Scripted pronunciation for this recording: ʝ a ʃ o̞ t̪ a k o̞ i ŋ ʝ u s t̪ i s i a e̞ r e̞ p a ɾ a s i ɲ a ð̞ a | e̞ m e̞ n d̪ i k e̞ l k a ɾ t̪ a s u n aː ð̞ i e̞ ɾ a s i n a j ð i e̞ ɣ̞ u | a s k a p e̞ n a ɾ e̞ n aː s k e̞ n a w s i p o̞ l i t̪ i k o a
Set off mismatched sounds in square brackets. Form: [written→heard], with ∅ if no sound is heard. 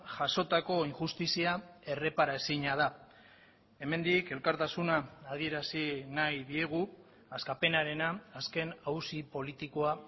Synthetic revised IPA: ʝ a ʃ o̞ t̪ a k o̞ i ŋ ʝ u s t̪ i s i a e̞ r e̞ p a ɾ a s i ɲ a ð̞ a | e̞ m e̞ n d̪ i k e̞ l k a ɾ t̪ a s u n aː ð̞ i e̞ ɾ a s i n a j ð i e̞ ɣ̞ u | a s k a p e̞ n a ɾ e̞ n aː s k e̞ n a w s i p o̞ l i t̪ i k o a